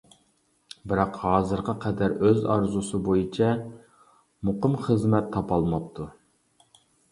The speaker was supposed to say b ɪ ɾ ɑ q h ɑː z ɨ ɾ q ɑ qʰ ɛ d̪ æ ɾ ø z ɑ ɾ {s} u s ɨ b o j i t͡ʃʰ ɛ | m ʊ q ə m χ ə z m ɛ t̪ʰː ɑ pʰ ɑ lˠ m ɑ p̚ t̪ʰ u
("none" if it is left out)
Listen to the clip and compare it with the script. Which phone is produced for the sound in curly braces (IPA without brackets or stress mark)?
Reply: z